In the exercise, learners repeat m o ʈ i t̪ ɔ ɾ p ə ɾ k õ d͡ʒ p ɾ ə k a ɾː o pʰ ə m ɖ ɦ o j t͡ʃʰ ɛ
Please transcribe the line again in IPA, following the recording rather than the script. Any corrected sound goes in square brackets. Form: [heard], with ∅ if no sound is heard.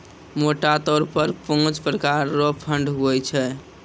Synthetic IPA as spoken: m o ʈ [a] t̪ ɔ ɾ p ə ɾ [p] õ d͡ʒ p ɾ ə k a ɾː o pʰ ə [ɳ] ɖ ɦ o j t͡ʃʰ ɛ